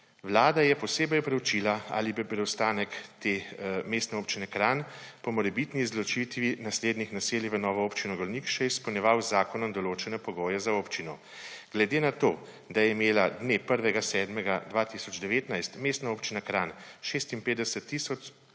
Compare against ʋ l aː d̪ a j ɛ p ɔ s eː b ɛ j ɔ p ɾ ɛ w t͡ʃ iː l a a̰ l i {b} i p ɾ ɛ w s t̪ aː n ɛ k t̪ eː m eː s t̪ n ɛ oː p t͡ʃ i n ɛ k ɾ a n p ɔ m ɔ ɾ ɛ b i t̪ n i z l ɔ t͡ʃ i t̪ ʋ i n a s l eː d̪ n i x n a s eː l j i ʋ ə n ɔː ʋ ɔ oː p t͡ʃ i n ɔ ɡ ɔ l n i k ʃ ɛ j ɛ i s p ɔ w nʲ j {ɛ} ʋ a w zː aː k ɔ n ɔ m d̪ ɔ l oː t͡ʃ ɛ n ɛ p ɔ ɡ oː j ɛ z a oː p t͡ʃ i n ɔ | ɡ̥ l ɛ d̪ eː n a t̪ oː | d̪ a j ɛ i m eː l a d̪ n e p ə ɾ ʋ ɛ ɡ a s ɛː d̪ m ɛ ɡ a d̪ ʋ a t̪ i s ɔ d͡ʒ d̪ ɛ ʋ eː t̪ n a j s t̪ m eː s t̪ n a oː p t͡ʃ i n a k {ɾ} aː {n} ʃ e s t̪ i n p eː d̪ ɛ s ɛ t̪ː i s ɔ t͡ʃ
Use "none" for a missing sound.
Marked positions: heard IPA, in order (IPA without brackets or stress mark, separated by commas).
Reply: b, ɛ, ɾ, n